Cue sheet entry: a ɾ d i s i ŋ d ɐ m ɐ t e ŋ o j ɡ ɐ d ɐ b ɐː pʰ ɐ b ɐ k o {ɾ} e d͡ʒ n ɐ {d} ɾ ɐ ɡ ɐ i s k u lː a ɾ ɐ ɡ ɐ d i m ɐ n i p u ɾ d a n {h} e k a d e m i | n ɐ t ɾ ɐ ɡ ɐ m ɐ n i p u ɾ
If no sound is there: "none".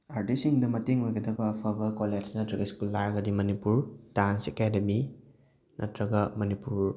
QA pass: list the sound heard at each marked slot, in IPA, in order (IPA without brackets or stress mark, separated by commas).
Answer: l, t, s